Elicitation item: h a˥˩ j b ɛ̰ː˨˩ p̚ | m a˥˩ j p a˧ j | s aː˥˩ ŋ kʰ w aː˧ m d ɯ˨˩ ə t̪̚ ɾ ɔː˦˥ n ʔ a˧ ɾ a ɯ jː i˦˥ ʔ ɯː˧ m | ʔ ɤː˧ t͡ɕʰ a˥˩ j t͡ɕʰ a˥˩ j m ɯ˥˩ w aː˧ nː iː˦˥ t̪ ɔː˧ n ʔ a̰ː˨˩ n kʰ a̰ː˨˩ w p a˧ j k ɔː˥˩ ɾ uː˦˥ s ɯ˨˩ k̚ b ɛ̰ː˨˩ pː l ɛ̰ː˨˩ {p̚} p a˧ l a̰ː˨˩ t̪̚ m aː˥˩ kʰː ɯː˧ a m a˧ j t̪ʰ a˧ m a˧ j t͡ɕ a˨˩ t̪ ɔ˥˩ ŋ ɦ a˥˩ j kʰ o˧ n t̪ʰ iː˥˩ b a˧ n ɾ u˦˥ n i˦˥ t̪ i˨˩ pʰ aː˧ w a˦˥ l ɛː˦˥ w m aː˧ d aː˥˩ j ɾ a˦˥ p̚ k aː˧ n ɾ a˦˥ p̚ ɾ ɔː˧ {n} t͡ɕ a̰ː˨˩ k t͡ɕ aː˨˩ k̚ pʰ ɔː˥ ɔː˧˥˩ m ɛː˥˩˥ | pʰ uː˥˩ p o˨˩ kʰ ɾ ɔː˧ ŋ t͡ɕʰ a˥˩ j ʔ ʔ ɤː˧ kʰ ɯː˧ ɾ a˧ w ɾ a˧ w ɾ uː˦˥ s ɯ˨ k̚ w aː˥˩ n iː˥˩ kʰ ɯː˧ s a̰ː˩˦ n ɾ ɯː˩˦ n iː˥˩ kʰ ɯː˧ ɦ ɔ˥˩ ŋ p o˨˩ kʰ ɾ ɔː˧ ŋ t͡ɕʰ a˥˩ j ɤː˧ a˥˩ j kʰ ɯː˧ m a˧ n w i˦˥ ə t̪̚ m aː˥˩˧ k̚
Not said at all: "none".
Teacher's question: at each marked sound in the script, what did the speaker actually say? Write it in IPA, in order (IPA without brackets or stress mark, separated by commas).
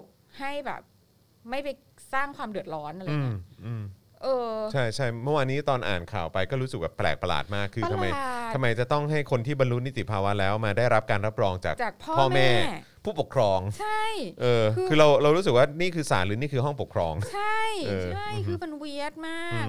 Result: k̚, ŋ